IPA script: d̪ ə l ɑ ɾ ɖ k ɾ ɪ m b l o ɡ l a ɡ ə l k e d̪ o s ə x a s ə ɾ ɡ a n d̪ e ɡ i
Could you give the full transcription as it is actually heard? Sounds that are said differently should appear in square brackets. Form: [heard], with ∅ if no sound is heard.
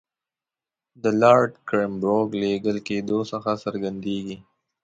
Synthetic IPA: d̪ ə l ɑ ɾ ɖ k ɾ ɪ m b [ɾ] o ɡ l [e] ɡ ə l k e d̪ o s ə x a s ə ɾ ɡ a n d̪ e ɡ i